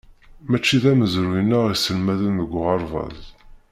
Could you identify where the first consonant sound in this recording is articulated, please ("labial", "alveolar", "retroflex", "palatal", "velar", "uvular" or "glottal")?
labial